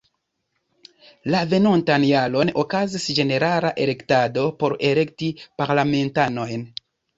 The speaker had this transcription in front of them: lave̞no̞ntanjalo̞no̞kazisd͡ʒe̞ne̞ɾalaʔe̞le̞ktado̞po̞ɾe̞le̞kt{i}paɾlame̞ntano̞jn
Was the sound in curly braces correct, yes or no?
yes